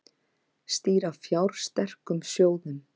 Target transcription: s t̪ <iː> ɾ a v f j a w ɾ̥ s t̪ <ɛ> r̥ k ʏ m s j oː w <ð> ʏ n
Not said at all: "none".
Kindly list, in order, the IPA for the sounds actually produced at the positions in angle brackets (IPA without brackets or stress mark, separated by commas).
iː, ɛ, ð